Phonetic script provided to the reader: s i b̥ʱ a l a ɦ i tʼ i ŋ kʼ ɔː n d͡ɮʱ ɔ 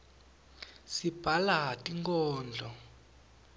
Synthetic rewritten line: s i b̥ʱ a l a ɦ a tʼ i ŋ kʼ ɔː n d͡ɮʱ ɔ